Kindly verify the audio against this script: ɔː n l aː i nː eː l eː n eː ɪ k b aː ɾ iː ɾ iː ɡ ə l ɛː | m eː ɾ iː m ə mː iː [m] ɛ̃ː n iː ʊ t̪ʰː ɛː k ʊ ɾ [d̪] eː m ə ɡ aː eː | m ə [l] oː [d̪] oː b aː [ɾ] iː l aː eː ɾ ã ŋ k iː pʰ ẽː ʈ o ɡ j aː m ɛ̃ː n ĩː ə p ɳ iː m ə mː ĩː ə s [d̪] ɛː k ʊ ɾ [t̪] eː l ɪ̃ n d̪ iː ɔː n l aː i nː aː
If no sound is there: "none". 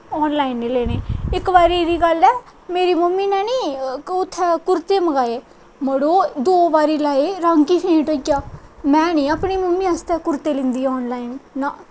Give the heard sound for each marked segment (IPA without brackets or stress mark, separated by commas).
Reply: n, t̪, ɽ, d̪, ɾ, t̪, t̪